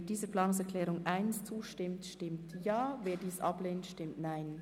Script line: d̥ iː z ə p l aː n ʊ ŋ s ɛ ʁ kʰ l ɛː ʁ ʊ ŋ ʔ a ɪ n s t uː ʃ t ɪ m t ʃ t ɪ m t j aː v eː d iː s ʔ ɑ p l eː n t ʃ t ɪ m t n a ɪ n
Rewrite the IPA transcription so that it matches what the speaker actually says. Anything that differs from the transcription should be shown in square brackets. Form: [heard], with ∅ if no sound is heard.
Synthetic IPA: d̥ iː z ə p l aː n ʊ ŋ s ɛ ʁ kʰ l ɛː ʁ ʊ ŋ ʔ a ɪ n s [t͡s] uː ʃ t ɪ m t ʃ t ɪ m t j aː v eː d iː s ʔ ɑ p l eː n t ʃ t ɪ m t n a ɪ n